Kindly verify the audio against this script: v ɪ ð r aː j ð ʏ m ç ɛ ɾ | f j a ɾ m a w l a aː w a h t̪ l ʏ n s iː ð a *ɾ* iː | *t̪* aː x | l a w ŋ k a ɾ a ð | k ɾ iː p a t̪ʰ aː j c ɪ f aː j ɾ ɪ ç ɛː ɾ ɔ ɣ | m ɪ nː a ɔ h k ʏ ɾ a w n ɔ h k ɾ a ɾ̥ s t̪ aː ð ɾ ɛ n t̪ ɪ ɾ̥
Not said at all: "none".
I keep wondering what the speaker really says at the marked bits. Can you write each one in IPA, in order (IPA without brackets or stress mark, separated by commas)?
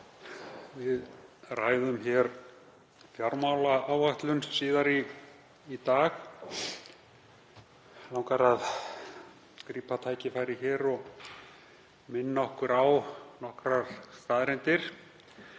ɾ, t̪